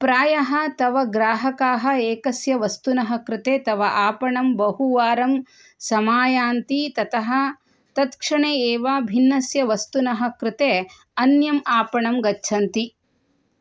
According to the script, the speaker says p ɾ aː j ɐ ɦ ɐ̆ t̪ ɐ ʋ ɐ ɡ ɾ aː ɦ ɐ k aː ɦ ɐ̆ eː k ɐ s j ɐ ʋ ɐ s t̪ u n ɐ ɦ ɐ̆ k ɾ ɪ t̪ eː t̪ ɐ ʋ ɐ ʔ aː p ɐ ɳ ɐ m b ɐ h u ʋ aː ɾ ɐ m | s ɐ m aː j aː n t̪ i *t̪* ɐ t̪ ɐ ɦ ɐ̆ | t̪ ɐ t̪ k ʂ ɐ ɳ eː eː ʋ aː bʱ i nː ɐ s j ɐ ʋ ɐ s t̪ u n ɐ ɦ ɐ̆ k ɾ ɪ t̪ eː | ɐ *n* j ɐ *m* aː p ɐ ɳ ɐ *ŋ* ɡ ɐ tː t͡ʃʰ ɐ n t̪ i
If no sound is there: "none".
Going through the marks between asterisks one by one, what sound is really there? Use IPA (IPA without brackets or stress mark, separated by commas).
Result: t̪, n, m, m